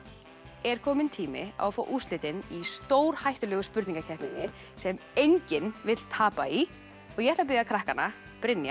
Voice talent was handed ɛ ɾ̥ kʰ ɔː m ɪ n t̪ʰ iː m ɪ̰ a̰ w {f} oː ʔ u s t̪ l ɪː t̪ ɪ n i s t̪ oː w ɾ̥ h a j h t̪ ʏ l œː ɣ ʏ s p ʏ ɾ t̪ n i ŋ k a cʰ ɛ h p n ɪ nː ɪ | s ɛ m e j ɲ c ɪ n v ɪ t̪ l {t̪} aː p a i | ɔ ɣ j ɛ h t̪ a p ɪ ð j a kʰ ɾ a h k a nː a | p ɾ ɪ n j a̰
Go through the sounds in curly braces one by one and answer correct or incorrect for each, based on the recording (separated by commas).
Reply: correct, incorrect